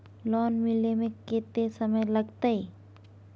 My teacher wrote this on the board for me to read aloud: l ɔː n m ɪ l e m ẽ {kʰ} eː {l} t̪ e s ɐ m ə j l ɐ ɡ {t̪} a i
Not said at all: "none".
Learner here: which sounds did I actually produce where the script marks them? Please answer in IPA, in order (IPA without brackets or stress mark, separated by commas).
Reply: k, none, t̪